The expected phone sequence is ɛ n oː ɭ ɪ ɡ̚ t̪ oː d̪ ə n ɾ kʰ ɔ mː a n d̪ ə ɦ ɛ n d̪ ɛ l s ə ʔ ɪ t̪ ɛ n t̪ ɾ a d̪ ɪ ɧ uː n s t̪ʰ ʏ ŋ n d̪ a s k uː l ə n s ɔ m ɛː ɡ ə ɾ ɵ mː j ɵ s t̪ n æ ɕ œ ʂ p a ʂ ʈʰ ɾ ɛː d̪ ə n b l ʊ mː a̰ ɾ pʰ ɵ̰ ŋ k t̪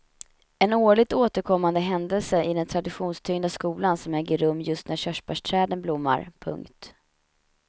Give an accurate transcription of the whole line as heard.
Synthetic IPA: ɛ n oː ɭ ɪ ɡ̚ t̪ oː t̪ ə ɾ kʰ ɔ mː a n d̪ ə ɦ ɛ n d̪ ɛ l s ə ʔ ɪ d̪ ɛ n t̪ʰ ɾ a d̪ ɪ ɧ uː n s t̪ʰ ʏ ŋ n d̪ a s k uː l a n s ɔ m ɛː ɡ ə ɾ ɵ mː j ɵ s t̪ n æ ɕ œ ʂ p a ʂ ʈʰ ɾ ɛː d̪ ə n b l ʊ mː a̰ ɾ pʰ ɵ̰ ŋ k t̪